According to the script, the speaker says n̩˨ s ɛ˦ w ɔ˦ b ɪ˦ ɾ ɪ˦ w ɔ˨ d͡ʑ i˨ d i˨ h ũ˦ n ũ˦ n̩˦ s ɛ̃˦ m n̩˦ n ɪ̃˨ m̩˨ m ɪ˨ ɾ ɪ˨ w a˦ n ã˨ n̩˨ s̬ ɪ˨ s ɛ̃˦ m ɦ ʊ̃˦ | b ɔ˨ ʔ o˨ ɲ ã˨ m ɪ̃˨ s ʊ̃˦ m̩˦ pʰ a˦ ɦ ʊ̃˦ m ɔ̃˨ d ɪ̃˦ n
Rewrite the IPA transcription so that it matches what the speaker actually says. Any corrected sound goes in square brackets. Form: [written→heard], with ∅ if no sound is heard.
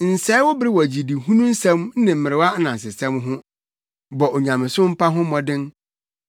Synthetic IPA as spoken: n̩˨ s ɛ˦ w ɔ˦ b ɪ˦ ɾ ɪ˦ w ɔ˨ d͡ʑ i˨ d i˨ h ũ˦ n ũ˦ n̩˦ s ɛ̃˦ m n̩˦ n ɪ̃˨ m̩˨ m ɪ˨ ɾ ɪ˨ w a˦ n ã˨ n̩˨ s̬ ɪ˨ s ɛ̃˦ m ɦ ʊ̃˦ | b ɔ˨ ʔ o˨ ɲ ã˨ m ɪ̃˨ s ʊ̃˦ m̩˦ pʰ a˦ ɦ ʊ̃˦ m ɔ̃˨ d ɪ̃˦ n

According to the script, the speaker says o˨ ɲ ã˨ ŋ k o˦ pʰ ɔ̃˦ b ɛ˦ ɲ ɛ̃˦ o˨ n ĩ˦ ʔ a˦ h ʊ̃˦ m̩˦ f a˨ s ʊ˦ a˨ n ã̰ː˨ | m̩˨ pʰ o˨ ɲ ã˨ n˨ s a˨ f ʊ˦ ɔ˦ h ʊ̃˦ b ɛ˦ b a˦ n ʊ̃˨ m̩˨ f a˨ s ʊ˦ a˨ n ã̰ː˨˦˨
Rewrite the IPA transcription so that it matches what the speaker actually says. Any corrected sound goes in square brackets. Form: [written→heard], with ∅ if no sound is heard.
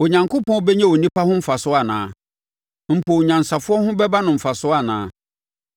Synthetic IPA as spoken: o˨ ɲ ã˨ ŋ k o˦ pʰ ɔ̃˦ b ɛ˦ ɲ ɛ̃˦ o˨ n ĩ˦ [ʔ→p] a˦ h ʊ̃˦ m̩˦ f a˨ s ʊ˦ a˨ n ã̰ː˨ | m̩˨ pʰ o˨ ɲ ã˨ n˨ s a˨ f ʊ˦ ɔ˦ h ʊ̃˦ b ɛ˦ b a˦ n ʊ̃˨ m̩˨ f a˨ s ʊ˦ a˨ n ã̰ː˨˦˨

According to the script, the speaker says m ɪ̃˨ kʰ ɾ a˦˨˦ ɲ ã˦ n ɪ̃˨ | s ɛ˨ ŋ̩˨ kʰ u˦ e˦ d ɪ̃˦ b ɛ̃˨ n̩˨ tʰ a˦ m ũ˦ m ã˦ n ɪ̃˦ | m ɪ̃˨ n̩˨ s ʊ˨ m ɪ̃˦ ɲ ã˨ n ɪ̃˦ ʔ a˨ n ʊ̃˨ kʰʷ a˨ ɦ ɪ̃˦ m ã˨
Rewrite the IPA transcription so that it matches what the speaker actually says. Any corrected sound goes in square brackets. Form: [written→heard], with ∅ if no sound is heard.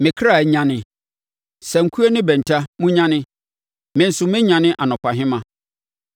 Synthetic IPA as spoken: m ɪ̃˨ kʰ ɾ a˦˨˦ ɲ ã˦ n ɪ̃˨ | s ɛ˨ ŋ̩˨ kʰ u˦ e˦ [d→n] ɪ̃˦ b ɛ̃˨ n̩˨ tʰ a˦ m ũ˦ [m→ɲ] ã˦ n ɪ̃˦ | m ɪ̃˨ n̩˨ s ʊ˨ m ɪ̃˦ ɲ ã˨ n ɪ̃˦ ʔ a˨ n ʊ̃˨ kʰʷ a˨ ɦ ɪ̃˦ m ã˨

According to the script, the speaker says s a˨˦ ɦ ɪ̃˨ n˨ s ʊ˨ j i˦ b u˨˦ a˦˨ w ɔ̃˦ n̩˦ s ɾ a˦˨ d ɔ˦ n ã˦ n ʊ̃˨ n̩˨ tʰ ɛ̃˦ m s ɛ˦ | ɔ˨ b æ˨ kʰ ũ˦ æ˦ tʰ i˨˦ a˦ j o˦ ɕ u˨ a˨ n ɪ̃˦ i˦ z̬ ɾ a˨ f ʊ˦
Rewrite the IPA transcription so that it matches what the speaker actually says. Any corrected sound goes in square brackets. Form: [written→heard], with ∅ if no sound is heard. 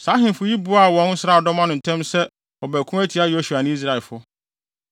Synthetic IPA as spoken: s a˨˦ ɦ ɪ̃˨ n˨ [s→f] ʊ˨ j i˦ b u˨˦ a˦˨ w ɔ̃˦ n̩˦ s ɾ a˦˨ d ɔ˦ [n→m] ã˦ n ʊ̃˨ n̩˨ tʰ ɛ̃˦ m s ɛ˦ | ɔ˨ b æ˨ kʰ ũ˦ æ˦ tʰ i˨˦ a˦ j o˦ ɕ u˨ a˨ n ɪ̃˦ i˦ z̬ ɾ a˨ f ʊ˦

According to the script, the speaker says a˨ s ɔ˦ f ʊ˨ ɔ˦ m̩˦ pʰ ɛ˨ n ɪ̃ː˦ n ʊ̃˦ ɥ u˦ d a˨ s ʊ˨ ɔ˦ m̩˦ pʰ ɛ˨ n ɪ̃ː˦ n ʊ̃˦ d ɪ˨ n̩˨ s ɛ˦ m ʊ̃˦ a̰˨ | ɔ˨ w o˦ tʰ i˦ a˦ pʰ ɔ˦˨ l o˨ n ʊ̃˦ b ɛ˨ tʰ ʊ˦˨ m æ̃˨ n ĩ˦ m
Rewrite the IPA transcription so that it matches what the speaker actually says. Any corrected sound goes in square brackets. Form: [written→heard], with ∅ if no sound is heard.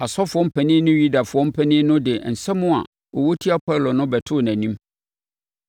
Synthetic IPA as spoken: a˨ s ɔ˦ f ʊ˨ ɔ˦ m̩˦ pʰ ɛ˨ n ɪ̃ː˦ n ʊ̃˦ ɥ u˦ d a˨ [s→f] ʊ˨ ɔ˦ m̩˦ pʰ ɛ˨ n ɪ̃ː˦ n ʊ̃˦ d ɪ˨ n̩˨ s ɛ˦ m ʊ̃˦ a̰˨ | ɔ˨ w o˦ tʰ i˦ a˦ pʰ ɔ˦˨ l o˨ n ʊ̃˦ b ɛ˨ tʰ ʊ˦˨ [m→n] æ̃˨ n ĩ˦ m

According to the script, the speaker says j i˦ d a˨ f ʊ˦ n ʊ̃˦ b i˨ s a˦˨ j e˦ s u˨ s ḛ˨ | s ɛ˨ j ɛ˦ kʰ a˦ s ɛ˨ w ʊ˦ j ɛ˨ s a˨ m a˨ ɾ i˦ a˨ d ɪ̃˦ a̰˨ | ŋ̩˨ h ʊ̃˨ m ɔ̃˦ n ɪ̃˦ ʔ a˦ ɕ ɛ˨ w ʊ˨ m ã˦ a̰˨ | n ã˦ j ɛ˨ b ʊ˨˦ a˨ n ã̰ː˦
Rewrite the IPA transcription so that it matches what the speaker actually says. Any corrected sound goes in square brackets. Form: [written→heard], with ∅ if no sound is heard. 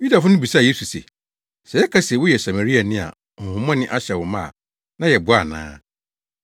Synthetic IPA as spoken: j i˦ d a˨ f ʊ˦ n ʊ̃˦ b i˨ s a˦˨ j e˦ s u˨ s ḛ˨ | s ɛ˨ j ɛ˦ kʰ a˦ s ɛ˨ w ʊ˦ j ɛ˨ s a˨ m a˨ ɾ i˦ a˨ [d→n] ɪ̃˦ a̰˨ | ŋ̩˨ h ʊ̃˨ m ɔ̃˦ n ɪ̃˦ ʔ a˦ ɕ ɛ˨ w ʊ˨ m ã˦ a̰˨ | n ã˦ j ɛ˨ b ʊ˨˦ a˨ n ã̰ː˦

